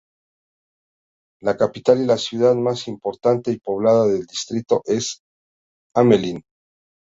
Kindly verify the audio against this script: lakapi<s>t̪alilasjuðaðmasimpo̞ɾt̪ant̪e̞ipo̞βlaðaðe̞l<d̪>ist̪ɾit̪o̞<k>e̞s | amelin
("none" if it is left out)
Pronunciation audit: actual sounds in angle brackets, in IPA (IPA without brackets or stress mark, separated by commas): none, d̪, ʔ